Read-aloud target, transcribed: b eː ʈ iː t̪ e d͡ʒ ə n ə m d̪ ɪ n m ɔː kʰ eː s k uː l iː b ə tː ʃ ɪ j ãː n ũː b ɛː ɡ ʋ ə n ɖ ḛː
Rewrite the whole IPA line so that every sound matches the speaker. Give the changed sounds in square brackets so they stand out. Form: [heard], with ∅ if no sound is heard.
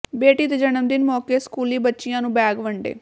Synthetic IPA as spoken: b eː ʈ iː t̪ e d͡ʒ ə n ə m d̪ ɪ n m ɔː [k] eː s k uː l iː b ə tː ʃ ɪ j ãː n ũː b ɛː ɡ ʋ ə [ɳ] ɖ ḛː